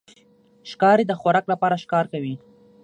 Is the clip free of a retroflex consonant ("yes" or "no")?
yes